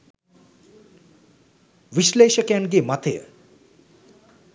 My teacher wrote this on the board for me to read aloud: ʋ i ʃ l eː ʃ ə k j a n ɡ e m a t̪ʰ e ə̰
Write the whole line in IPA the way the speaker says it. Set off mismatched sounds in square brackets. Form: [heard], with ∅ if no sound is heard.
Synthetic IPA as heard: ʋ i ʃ l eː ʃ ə k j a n ɡ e m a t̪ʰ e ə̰